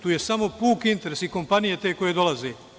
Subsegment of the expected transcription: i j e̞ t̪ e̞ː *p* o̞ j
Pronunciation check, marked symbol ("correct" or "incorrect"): incorrect